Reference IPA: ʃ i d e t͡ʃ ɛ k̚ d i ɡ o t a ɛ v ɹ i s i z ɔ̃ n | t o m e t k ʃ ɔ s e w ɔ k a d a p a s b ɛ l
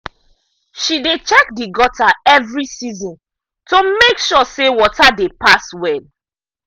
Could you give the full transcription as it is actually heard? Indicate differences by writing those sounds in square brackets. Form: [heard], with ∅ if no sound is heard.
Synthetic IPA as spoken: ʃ i d e t͡ʃ ɛ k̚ d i ɡ [ɔ] t a ɛ v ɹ i s i z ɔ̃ n | t o m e [∅] k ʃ ɔ s e w ɔ [t] a d [e] p a s [w] ɛ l